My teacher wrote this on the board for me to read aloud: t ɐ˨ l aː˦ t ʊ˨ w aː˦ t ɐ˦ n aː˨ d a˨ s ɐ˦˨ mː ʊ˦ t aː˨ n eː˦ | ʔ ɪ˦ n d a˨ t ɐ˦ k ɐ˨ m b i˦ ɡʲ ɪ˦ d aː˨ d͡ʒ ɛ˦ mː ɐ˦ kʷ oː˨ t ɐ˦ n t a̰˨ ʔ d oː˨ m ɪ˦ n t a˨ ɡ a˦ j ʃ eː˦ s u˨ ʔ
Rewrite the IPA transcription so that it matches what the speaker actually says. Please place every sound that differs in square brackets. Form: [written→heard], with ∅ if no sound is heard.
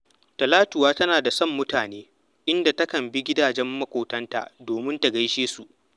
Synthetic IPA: t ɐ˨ l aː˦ t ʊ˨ w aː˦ t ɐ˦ n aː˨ d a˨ s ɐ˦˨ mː ʊ˦ t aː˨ n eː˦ | ʔ ɪ˦ n d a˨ t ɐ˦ k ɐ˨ m b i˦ ɡʲ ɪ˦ d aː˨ d͡ʒ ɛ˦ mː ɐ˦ kʷ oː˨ t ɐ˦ n t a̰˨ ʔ d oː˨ m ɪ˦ n t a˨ ɡ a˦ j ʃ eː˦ s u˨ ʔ